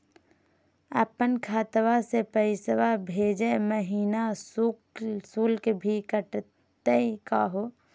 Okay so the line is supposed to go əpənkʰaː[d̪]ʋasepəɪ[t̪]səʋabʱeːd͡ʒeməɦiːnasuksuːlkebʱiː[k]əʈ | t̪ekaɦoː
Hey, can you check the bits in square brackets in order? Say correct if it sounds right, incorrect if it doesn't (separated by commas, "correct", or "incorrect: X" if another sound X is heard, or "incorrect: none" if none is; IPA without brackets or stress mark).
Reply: incorrect: t̪, incorrect: none, correct